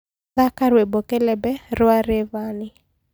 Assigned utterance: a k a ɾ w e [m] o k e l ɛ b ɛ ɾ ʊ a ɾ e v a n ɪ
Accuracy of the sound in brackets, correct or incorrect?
incorrect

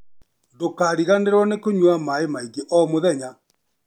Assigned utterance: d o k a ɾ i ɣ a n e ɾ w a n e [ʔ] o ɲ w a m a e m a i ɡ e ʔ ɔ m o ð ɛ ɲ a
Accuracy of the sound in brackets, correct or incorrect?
incorrect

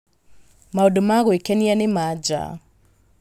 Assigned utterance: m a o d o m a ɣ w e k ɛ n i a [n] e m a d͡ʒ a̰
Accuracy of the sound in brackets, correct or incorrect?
correct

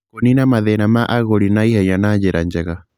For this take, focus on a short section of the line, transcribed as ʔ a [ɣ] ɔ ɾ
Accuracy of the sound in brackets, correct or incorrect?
correct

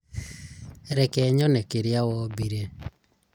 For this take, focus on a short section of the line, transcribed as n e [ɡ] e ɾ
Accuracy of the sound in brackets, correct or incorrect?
incorrect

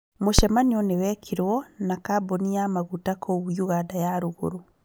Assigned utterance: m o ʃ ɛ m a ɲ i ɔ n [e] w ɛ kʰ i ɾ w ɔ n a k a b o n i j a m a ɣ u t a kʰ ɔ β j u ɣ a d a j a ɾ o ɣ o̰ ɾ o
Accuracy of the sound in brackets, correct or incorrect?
correct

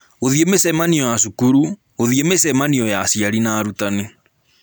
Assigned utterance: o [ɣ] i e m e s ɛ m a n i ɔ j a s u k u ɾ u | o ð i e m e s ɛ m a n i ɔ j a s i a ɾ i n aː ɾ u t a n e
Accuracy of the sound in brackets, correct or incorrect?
incorrect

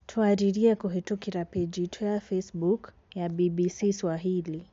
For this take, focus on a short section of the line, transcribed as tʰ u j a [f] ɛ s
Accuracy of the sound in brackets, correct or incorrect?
correct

